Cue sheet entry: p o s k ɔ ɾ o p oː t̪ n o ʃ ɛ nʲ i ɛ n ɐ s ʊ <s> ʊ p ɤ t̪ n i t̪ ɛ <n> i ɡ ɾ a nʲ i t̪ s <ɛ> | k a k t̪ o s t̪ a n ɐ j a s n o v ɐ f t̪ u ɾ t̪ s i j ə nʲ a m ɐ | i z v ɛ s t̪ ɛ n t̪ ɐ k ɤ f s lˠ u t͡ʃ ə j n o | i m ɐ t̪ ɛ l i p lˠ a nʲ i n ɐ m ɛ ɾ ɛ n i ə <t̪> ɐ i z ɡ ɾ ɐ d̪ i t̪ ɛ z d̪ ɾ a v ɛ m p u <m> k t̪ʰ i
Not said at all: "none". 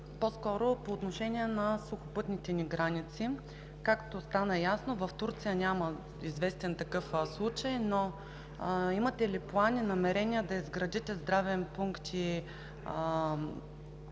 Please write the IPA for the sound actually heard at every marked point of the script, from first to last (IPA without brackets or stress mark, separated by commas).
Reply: x, n, i, d̪, ŋ